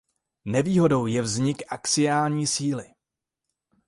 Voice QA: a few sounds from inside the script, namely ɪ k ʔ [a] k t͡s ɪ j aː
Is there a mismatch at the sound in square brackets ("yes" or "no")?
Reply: no